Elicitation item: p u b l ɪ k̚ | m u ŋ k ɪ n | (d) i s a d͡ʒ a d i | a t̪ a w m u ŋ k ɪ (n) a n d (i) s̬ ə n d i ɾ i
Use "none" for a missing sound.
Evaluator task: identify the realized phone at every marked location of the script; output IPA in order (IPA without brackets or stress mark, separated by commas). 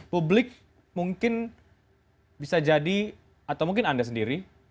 b, n, a